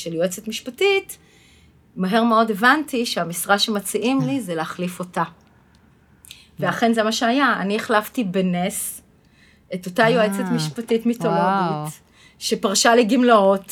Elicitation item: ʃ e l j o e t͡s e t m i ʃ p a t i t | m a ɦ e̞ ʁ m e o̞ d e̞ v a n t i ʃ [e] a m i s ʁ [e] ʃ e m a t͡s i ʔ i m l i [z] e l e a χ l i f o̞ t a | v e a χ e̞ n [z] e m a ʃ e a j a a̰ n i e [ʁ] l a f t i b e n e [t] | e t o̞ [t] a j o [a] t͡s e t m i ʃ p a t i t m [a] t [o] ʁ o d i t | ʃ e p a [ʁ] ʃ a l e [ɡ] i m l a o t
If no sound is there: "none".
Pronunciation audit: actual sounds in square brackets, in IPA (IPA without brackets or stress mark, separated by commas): e, a, z, z, χ, s, t, e, i, o, ʁ, ɡ